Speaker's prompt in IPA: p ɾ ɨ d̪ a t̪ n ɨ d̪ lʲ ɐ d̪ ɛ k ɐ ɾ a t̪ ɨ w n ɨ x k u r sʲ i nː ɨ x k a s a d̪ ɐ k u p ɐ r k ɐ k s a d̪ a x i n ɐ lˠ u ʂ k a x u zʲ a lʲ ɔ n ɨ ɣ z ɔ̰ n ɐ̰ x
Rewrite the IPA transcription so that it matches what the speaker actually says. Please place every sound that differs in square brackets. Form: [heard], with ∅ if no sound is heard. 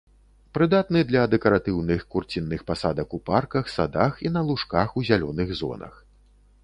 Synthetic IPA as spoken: p ɾ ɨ d̪ a t̪ n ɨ d̪ lʲ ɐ d̪ ɛ k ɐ ɾ a t̪ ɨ w n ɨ x k u r [t͡sʲ] i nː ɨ x [p] a s a d̪ ɐ k u p [a] r k ɐ [x] s a d̪ a x i n ɐ lˠ u ʂ k a x u zʲ a lʲ ɔ n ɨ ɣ z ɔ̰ n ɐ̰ x